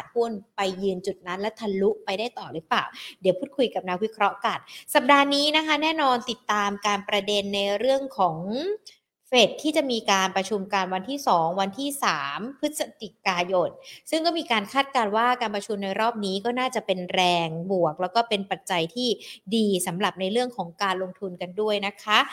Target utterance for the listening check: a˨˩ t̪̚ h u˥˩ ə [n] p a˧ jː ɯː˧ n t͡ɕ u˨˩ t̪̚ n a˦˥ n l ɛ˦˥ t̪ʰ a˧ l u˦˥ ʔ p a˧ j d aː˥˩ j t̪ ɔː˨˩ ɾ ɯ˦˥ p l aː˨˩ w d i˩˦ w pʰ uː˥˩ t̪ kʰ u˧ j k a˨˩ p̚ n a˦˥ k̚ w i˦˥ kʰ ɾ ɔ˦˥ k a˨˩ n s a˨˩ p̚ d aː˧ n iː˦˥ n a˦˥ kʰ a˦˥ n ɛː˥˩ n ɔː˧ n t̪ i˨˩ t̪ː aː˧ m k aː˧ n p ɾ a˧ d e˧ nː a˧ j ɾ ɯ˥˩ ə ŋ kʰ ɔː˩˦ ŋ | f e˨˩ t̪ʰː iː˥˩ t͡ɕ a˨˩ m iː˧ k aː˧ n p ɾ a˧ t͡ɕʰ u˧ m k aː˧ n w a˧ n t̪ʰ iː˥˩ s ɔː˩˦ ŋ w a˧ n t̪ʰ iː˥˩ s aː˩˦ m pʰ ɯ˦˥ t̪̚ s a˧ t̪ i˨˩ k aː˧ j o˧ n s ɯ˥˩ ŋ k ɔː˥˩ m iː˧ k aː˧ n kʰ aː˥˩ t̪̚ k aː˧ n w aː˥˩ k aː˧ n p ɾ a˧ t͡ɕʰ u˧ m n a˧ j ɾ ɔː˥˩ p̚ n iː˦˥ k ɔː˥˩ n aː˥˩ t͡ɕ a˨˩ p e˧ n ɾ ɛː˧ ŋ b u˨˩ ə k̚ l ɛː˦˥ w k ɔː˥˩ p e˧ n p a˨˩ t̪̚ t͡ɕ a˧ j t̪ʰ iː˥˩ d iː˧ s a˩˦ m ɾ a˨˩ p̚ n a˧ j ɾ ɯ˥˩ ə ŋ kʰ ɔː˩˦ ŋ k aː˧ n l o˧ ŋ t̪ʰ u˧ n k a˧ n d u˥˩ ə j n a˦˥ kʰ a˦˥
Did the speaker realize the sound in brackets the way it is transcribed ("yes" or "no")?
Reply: yes